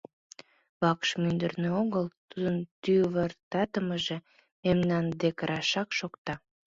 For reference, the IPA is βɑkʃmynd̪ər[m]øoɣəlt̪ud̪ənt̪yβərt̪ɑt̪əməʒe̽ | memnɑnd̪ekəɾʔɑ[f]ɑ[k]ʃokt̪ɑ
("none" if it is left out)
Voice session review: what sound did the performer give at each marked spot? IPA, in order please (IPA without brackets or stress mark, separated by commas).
n, ʃ, k